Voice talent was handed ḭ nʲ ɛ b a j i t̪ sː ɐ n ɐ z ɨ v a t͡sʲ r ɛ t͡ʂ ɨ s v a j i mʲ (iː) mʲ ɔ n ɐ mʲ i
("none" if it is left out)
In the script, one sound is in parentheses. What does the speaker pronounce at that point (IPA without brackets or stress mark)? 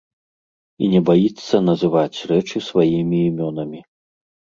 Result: iː